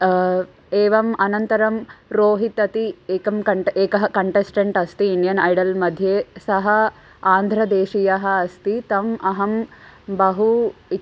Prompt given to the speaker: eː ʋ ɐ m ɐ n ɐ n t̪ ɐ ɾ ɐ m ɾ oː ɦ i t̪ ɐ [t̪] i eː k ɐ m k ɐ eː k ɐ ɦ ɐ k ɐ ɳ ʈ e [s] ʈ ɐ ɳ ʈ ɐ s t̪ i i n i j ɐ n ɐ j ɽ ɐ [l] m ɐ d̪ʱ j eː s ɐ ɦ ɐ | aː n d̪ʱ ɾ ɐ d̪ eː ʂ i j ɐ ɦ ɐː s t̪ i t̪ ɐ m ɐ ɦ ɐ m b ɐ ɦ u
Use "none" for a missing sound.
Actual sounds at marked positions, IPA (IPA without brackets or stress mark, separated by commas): t̪, s, l